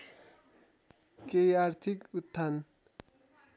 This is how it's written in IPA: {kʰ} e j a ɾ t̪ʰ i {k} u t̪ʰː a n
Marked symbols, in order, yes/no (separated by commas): no, yes